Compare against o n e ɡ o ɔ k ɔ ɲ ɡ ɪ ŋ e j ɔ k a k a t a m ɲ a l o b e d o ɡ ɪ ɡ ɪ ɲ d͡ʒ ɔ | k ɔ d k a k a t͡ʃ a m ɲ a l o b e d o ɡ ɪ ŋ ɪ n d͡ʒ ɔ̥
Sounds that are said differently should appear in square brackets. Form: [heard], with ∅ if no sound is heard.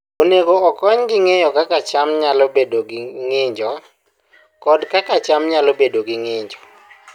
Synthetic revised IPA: o n e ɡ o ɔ k ɔ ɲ ɡ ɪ ŋ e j ɔ k a k a [t͡ʃ] a m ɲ a l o b e d o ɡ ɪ [ŋ] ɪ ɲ d͡ʒ ɔ | k ɔ d k a k a t͡ʃ a m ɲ a l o b e d o ɡ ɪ ŋ ɪ [ɲ] d͡ʒ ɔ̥